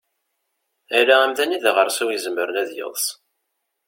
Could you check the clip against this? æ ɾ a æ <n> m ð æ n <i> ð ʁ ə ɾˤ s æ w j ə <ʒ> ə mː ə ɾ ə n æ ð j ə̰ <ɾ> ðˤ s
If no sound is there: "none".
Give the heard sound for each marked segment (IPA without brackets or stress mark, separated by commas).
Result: none, i, z, none